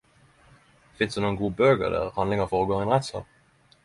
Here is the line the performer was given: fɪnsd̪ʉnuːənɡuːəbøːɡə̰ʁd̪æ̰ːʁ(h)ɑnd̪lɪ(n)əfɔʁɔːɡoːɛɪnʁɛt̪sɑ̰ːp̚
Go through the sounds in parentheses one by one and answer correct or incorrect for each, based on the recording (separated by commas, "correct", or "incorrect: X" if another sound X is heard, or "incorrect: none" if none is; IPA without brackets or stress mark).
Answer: correct, incorrect: ŋ